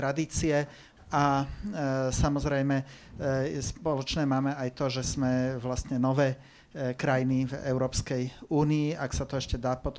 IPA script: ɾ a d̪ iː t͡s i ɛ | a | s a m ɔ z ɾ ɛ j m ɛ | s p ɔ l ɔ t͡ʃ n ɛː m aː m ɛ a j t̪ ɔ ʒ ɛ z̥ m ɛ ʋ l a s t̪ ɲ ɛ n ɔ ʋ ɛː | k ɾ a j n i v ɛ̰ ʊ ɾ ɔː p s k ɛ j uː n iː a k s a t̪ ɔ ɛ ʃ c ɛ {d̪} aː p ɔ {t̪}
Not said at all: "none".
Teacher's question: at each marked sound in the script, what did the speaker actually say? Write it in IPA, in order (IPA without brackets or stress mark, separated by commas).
d̪, t̪